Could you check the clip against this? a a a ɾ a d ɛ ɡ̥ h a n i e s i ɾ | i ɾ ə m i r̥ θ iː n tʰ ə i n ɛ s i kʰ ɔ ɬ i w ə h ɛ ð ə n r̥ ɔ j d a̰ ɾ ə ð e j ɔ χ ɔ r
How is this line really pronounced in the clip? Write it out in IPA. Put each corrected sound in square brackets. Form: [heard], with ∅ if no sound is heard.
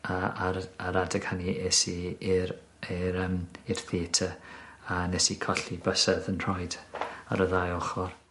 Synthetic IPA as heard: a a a ɾ a d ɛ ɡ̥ h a n i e s i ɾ | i ɾ ə m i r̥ θ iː [∅] tʰ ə [a] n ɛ s i kʰ ɔ ɬ i [b] ə [s] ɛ ð ə n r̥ ɔ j d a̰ ɾ ə ð [a] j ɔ χ ɔ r

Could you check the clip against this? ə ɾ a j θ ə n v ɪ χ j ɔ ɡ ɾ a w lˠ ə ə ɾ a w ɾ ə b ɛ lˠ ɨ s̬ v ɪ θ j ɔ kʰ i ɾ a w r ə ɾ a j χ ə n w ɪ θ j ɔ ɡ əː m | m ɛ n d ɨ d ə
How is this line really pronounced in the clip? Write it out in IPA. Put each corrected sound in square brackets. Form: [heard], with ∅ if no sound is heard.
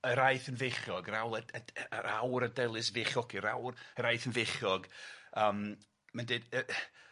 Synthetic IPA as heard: ə ɾ a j θ ə n v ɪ χ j ɔ ɡ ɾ a w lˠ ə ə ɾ a w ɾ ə [d] ɛ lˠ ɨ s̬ v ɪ [χ] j ɔ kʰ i ɾ a w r ə ɾ a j [θ] ə n [v] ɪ [χ] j ɔ ɡ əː m | m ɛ n d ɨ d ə

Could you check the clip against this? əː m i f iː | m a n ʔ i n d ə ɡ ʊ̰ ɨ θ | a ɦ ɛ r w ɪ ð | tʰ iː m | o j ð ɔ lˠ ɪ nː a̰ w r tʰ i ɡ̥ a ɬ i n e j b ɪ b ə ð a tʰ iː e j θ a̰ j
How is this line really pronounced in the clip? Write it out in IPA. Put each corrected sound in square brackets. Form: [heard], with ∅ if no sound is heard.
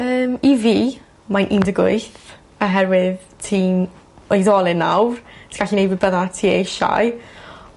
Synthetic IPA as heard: əː m i [v] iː | m a n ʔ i n d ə ɡ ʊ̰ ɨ θ | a ɦ ɛ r w ɪ ð | tʰ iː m | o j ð ɔ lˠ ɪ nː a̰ w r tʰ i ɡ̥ a ɬ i n e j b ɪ b ə ð a tʰ iː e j [ʃ] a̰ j

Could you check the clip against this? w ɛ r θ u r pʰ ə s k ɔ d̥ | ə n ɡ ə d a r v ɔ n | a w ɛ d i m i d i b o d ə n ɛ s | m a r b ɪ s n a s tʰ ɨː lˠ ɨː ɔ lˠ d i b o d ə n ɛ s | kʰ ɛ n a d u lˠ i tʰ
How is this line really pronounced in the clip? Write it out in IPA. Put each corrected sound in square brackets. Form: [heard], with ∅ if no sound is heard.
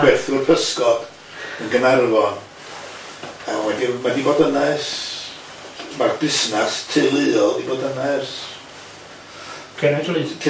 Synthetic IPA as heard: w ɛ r θ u r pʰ ə s k ɔ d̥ | ə n ɡ ə [n] a r v ɔ n | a w ɛ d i m [a] d i b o d ə n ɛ s | m a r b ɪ s n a s tʰ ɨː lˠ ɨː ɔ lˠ d i b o d ə n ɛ s | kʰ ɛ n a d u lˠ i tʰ

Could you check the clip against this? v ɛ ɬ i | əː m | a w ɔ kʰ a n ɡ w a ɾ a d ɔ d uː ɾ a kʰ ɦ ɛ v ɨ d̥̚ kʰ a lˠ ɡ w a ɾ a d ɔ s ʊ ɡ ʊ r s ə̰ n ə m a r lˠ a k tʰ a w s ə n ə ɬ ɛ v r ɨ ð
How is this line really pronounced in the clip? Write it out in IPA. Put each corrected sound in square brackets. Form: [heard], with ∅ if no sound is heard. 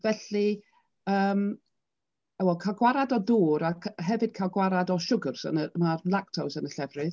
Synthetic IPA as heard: v ɛ ɬ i | əː m | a w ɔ kʰ a [∅] ɡ w a ɾ a d ɔ d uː ɾ a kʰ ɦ ɛ v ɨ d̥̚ kʰ a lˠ ɡ w a ɾ a d ɔ [ʃ] ʊ ɡ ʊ r s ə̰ n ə m a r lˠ a k tʰ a w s ə n ə ɬ ɛ v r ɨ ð

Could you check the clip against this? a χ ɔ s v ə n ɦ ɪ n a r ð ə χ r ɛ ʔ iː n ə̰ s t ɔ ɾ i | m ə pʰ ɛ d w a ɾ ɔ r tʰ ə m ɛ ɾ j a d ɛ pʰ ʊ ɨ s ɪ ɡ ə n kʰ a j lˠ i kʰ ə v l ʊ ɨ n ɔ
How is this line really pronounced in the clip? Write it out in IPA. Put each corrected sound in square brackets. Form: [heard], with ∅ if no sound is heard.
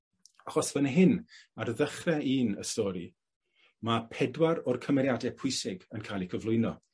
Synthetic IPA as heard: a χ ɔ s v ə n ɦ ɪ n a r ð ə χ r ɛ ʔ iː n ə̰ s t ɔ ɾ i | m [a] pʰ ɛ d w a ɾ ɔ r [kʰ] ə m ɛ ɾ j a d ɛ pʰ ʊ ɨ s ɪ ɡ ə n kʰ a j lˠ i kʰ ə v l ʊ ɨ n ɔ

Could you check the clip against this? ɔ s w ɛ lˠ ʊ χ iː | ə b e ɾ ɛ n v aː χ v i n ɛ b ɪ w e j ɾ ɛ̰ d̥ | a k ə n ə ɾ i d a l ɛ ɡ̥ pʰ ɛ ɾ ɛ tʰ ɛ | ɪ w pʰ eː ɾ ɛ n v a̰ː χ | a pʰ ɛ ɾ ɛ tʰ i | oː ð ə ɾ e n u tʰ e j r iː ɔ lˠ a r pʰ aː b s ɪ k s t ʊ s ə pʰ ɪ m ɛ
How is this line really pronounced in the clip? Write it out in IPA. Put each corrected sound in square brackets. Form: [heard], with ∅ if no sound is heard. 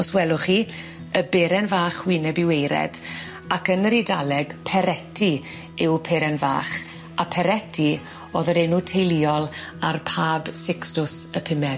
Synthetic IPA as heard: ɔ s w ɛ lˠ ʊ χ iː | ə b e ɾ ɛ n v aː χ [w] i n ɛ b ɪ w e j ɾ ɛ̰ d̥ | a k ə n ə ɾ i d a l ɛ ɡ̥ pʰ ɛ ɾ ɛ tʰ [i] | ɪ w pʰ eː ɾ ɛ n v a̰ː χ | a pʰ ɛ ɾ ɛ tʰ i | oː ð ə ɾ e n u tʰ e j [l] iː ɔ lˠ a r pʰ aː b s ɪ k s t ʊ s ə pʰ ɪ m ɛ

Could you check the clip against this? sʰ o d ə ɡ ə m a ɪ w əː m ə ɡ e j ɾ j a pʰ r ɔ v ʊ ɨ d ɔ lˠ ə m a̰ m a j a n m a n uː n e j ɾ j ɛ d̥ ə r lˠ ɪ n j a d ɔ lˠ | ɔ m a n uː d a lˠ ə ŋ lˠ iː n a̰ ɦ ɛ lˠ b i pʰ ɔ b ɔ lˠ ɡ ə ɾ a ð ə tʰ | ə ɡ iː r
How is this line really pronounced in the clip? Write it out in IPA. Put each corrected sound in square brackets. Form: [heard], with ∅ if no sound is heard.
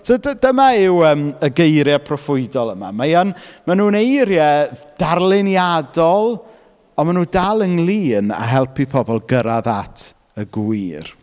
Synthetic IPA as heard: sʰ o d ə [d] ə m a ɪ w əː m ə ɡ e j ɾ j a pʰ r ɔ [f] ʊ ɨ d ɔ lˠ ə m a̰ m a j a n m a n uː n e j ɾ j ɛ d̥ [a] r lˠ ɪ n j a d ɔ lˠ | ɔ m a n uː d a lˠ ə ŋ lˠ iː n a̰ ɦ ɛ lˠ [p] i pʰ ɔ b ɔ lˠ ɡ ə ɾ a ð [a] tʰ | ə ɡ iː r

